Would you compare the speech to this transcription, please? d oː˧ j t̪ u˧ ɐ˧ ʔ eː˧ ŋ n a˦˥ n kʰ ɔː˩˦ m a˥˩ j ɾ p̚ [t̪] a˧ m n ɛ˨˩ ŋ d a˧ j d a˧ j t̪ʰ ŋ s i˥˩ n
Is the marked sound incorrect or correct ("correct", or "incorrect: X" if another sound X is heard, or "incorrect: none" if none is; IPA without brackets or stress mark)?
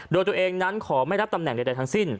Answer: correct